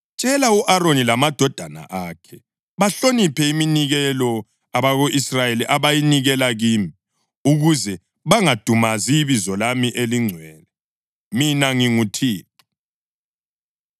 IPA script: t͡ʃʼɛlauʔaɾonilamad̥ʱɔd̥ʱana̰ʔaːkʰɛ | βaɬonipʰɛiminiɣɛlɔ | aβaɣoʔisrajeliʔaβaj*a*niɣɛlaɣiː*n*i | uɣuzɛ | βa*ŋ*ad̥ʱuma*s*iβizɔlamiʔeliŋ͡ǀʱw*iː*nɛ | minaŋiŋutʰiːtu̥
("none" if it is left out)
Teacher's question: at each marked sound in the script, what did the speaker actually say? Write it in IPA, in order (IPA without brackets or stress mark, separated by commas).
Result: i, m, ŋ, z, ɛː